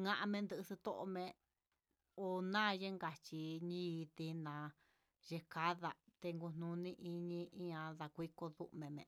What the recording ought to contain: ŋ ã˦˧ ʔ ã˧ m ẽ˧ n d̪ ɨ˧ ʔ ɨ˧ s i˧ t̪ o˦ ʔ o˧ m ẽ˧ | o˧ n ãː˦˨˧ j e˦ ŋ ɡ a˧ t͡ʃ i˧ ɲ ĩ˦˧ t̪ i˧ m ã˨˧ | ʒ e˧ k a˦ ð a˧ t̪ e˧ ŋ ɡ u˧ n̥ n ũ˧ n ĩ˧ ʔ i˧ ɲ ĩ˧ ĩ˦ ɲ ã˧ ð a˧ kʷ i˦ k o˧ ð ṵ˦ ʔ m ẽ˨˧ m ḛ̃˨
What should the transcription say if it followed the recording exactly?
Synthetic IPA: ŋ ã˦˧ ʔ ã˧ m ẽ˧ n d̪ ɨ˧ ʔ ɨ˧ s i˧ t̪ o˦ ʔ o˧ m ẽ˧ | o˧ n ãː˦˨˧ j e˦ ŋ ɡ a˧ t͡ʃ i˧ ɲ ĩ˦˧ t̪ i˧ n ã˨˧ | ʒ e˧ k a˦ ð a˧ t̪ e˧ ŋ ɡ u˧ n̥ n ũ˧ n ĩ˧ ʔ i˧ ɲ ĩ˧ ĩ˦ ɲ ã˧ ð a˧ kʷ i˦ k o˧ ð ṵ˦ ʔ m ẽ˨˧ m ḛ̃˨